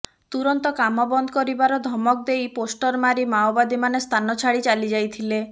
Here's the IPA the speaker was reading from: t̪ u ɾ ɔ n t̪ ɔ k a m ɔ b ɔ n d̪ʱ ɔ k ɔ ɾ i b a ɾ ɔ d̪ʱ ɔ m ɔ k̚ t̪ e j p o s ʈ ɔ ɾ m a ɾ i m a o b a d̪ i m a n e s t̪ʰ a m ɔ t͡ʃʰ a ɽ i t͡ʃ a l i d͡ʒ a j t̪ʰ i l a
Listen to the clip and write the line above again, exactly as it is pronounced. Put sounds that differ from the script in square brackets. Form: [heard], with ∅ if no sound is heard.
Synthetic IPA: t̪ u ɾ ɔ n t̪ ɔ k a m ɔ b ɔ n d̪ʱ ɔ k ɔ ɾ i b a ɾ ɔ d̪ʱ ɔ m ɔ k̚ [d̪] e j p o s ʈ ɔ ɾ m a ɾ i m a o b a d̪ i m a n e s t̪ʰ a [n] ɔ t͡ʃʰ a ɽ i t͡ʃ a l i d͡ʒ a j t̪ʰ i l [e]